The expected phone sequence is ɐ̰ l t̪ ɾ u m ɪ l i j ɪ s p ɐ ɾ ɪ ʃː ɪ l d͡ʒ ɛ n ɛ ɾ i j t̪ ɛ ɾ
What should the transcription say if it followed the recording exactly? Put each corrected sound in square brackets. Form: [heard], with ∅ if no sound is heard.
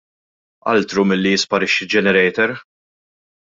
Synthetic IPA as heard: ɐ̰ l t̪ ɾ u m ɪ [lː] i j ɪ s p ɐ ɾ ɪ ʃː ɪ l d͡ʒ ɛ n ɛ ɾ [ɛ] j t̪ ɛ ɾ